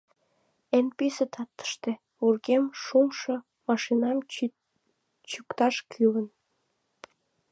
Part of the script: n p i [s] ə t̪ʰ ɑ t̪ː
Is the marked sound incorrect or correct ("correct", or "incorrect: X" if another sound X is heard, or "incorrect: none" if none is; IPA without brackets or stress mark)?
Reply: correct